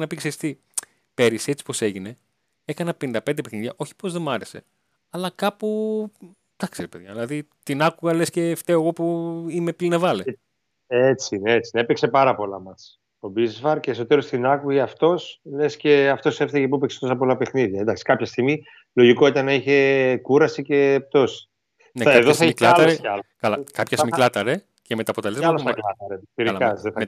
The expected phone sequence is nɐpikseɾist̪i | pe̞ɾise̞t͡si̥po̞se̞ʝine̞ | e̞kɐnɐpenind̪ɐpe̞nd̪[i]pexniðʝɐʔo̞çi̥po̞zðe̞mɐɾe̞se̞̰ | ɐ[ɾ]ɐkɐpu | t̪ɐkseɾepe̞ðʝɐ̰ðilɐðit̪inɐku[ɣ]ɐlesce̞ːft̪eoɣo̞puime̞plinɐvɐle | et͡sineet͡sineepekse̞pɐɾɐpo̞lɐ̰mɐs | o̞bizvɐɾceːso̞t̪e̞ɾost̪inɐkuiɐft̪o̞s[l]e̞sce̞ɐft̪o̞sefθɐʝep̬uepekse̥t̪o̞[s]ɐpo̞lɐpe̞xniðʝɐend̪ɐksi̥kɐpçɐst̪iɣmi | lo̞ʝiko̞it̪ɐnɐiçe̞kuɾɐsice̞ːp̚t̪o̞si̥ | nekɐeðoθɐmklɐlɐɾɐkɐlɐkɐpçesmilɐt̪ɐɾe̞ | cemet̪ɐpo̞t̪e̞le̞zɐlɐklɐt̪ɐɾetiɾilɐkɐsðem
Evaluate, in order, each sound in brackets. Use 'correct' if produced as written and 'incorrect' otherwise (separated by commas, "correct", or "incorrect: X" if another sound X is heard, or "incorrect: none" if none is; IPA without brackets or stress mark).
incorrect: e, incorrect: l, correct, correct, correct